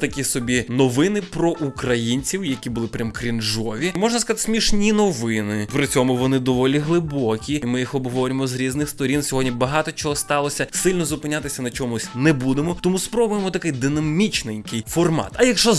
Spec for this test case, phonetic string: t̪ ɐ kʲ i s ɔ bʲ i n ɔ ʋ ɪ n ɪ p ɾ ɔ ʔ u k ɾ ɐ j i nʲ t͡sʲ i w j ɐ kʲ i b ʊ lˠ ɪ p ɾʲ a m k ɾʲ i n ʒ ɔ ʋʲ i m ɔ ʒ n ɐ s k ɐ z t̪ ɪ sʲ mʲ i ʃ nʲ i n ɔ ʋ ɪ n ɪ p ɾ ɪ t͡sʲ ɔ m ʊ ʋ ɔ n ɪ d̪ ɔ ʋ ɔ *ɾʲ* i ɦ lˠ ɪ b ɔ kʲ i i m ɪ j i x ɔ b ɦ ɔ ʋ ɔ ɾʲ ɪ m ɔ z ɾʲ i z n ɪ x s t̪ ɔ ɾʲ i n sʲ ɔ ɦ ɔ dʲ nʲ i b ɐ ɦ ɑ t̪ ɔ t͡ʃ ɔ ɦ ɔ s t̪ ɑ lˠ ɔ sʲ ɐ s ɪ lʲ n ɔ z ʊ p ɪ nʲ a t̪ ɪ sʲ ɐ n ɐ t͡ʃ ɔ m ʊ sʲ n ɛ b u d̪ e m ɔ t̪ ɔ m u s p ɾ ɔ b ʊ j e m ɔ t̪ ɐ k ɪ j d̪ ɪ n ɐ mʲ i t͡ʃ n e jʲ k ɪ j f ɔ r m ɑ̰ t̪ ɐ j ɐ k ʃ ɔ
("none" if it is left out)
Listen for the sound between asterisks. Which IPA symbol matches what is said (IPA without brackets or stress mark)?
lʲ